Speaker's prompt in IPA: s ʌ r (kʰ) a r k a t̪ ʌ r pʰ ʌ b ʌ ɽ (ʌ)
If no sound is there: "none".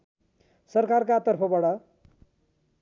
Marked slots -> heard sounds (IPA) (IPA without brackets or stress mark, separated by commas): k, ʌ